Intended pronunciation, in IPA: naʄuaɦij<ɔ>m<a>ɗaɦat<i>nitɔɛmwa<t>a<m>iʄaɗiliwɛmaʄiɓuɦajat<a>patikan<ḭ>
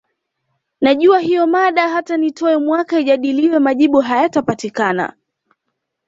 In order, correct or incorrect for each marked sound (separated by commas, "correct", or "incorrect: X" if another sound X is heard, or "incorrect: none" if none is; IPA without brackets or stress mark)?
correct, correct, incorrect: a, incorrect: k, incorrect: none, correct, incorrect: a̰